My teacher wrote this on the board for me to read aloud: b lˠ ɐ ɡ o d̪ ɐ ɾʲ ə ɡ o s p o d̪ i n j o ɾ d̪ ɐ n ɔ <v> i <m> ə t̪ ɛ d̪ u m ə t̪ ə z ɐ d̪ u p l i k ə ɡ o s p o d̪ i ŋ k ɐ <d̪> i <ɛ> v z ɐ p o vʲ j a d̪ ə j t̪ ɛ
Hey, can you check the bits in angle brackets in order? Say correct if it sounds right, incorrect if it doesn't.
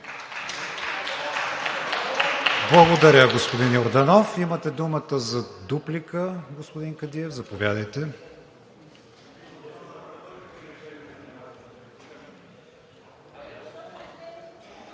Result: incorrect: f, correct, correct, correct

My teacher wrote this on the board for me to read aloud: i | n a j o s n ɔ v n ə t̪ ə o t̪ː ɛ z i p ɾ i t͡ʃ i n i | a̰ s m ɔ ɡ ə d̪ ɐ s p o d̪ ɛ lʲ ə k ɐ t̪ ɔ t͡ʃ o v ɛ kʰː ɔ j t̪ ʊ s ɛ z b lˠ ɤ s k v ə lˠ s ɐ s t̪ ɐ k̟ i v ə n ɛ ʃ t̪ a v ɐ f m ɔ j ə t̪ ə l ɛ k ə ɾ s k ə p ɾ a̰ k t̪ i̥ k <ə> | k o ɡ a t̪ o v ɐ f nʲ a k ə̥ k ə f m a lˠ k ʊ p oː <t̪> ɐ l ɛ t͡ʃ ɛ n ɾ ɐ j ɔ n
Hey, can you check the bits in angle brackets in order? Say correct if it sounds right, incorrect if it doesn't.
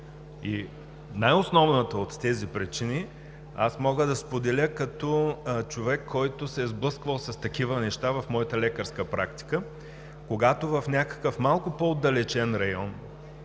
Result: correct, incorrect: d̪

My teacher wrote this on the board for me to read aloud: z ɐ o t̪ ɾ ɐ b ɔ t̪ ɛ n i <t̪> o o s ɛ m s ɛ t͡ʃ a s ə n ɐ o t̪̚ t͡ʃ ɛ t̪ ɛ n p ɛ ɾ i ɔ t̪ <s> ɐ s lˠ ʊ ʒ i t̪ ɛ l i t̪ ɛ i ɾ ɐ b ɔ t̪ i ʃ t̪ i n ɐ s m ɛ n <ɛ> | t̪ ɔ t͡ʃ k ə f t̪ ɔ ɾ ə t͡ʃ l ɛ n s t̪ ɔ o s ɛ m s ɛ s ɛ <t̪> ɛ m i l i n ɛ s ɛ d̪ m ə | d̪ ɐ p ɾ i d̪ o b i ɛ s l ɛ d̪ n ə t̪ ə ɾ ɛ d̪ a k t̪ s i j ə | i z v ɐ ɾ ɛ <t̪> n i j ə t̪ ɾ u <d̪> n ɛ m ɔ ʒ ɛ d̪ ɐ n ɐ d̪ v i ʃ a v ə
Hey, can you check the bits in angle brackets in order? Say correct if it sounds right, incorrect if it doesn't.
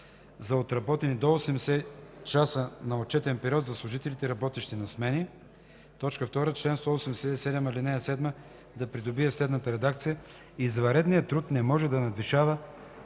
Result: incorrect: d̪, incorrect: z, incorrect: i, incorrect: d̪, incorrect: d̪, incorrect: t̪

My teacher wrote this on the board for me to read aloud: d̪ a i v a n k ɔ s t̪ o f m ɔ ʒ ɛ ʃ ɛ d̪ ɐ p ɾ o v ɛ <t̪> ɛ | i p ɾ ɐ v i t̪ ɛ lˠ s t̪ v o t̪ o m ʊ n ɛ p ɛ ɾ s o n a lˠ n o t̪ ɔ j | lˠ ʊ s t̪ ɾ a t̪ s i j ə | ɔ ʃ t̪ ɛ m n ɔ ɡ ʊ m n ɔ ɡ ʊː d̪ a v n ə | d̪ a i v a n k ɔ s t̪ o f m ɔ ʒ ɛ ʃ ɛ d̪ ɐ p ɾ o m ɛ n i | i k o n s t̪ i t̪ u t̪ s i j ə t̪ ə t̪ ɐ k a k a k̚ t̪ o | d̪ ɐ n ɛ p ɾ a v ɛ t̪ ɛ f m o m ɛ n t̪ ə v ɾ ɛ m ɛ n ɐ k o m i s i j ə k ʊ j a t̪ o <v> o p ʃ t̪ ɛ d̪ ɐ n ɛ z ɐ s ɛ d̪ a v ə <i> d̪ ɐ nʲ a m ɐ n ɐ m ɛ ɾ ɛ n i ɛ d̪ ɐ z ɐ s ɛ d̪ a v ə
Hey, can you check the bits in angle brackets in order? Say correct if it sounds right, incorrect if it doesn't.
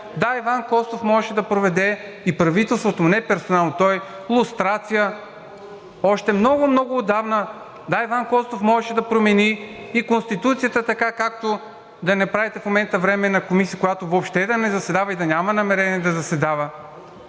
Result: incorrect: d̪, correct, correct

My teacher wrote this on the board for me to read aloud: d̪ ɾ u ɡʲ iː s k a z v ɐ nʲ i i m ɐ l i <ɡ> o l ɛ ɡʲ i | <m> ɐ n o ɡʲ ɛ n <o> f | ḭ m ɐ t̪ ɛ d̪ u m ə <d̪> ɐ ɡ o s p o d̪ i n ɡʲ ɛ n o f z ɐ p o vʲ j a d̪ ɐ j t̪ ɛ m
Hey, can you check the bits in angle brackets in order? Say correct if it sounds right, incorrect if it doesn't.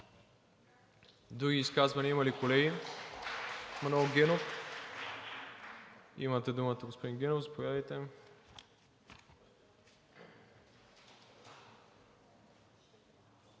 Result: incorrect: k, correct, correct, incorrect: t̪

